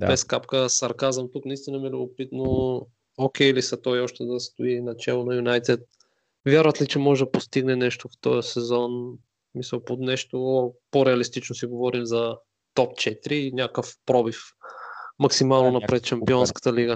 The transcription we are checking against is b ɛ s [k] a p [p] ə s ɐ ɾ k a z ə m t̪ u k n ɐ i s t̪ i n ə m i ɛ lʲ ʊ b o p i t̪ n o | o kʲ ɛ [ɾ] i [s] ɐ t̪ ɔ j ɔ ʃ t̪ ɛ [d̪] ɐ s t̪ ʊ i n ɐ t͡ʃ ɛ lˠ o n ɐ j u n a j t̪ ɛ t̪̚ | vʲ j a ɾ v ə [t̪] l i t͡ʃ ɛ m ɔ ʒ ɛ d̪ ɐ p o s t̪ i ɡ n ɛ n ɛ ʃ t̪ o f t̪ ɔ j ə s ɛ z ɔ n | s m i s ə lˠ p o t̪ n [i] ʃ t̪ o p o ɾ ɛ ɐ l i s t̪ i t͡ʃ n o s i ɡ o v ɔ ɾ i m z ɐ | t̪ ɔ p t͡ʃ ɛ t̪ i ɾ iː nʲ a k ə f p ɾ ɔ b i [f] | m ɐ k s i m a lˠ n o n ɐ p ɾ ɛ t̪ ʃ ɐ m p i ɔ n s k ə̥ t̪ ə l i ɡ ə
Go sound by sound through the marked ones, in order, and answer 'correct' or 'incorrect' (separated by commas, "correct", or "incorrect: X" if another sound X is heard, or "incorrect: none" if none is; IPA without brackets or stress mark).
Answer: correct, incorrect: k, incorrect: l, correct, correct, correct, incorrect: ɛ, correct